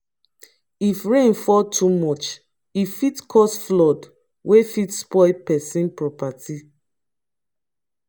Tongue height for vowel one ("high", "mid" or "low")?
high